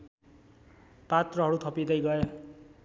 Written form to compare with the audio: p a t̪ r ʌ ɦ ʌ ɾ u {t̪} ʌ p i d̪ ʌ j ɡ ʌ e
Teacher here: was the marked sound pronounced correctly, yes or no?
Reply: no